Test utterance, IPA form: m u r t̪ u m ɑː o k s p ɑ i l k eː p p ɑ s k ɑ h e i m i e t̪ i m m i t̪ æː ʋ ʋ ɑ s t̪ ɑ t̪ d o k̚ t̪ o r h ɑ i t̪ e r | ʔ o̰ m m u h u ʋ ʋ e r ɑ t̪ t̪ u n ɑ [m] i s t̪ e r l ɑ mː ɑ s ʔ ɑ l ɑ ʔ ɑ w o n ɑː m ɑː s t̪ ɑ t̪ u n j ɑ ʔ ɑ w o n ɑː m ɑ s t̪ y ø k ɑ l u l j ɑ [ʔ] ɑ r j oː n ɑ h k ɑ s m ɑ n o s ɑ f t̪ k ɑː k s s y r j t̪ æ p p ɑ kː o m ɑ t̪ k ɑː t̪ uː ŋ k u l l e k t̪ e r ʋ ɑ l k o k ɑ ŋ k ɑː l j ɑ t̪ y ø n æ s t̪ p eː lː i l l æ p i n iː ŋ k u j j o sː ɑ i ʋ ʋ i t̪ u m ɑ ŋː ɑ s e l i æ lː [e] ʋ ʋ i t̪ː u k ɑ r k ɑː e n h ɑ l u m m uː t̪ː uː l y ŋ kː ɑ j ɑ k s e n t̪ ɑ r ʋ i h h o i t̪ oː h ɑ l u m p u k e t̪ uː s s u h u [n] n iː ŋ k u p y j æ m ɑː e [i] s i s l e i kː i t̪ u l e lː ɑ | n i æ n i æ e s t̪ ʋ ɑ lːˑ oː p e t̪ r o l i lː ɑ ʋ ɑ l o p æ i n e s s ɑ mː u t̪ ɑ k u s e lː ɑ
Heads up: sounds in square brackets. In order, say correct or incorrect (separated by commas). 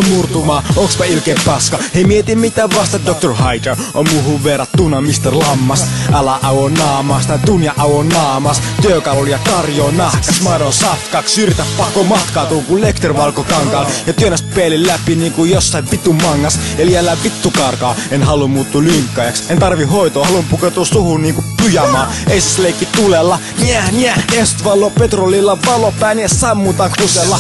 correct, incorrect, incorrect, correct, correct